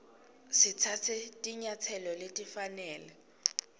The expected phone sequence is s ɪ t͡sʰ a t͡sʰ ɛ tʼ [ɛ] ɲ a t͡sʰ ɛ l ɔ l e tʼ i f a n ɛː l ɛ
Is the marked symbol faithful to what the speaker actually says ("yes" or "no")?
no